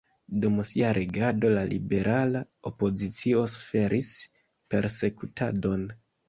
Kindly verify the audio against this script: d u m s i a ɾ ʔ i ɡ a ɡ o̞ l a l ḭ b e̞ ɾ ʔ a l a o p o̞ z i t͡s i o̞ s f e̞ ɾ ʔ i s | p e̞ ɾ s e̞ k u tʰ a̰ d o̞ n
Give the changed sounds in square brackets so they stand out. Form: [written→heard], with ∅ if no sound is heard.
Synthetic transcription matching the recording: d u m s i a ɾ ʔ [i→e] ɡ a [ɡ→d] o̞ l a l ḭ b e̞ ɾ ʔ a l a o p o̞ z i t͡s i o̞ s f e̞ ɾ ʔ i s | p e̞ ɾ s e̞ k u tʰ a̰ d o̞ n